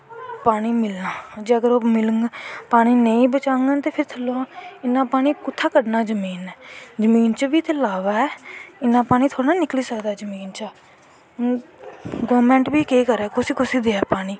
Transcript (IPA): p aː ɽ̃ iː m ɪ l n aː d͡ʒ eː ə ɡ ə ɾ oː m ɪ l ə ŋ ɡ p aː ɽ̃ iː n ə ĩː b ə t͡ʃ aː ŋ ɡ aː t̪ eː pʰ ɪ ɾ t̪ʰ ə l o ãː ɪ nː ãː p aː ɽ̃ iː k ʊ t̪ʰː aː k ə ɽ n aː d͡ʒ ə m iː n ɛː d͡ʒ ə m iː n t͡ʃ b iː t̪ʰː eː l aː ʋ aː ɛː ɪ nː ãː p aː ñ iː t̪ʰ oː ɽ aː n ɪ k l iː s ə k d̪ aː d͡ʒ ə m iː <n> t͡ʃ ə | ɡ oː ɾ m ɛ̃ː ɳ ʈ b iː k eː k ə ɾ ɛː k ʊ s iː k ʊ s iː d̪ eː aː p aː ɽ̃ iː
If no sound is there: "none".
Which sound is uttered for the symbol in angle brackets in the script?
n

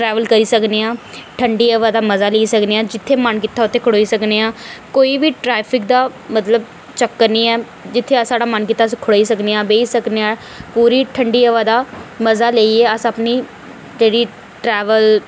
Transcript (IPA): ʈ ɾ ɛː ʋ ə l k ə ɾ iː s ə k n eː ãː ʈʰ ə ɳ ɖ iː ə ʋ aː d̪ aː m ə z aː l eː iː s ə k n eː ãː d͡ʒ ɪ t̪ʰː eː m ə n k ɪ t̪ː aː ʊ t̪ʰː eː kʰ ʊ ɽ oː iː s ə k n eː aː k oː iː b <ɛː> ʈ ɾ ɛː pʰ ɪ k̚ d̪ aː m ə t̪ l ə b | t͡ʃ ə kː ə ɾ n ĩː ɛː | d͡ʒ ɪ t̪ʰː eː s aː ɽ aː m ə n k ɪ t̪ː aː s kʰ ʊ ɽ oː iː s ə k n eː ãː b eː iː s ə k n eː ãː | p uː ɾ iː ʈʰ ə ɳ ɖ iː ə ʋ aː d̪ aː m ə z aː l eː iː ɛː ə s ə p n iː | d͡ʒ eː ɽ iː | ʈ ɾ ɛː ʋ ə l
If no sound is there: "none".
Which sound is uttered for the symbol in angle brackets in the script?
iː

